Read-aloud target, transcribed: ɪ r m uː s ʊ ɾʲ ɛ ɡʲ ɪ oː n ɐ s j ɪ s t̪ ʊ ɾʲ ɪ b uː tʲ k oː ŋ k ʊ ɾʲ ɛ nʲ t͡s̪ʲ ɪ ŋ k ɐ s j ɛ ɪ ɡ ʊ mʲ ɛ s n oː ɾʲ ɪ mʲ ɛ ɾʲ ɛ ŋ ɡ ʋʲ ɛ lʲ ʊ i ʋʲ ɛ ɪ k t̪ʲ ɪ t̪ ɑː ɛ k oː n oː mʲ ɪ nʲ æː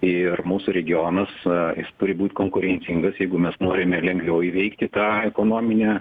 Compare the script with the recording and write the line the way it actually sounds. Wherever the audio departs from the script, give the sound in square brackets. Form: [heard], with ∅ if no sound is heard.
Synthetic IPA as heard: ɪ r m uː s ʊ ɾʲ ɛ ɡʲ ɪ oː n ɐ s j ɪ s t̪ ʊ ɾʲ ɪ b uː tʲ k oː ŋ k ʊ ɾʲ ɛ nʲ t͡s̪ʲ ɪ ŋ [ɡ] ɐ s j ɛ ɪ ɡ ʊ mʲ ɛ s n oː ɾʲ ɪ mʲ ɛ [lʲ] ɛ ŋ ɡ ʋʲ ɛ [∅] ʊ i ʋʲ ɛ ɪ k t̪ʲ ɪ t̪ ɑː ɛ k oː n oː mʲ ɪ nʲ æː